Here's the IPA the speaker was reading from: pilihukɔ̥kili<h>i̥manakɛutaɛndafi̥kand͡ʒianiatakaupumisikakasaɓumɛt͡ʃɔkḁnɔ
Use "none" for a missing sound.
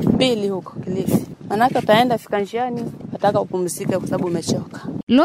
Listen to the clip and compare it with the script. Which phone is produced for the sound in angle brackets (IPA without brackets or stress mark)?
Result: f